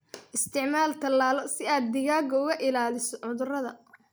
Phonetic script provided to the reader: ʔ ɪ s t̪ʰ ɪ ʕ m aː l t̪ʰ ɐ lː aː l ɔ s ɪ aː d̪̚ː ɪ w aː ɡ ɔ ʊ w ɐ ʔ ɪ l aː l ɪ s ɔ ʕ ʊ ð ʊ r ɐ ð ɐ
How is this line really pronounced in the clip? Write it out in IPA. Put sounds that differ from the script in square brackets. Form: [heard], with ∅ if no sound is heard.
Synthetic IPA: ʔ ɪ s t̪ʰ ɪ ʕ m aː l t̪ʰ ɐ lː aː l ɔ s ɪ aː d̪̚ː ɪ [ɣ] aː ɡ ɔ ʊ [ɣ] ɐ ʔ ɪ l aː l ɪ s ɔ ʕ ʊ ð ʊ r ɐ ð ɐ